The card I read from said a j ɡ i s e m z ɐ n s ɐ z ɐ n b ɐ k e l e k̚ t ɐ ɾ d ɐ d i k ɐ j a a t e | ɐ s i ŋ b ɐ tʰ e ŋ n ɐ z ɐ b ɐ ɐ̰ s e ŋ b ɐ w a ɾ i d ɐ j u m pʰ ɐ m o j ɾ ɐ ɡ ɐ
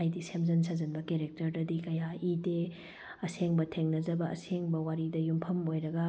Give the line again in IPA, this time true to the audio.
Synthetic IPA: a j d i s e m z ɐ n s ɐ z ɐ n b ɐ k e ɾ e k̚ t ɐ ɾ d ɐ d i k ɐ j a i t e | ɐ s e ŋ b ɐ tʰ e ŋ n ɐ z ɐ b ɐ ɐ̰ s e ŋ b ɐ w a ɾ i d ɐ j u m pʰ ɐ m o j ɾ ɐ ɡ ɐ